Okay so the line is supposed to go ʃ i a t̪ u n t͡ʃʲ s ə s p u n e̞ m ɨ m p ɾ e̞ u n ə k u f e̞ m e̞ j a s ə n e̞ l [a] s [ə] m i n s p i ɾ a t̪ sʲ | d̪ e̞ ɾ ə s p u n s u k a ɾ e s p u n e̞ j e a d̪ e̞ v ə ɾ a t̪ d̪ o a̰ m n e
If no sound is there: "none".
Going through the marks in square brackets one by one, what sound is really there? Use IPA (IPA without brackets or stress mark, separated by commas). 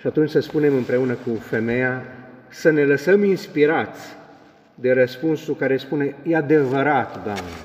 ə, ə